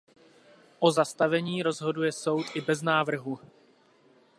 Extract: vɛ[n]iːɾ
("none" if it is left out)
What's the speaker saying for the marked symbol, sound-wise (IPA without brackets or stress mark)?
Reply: ɲ